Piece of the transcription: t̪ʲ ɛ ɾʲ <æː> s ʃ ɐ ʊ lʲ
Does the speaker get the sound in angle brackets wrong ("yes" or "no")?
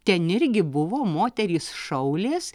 yes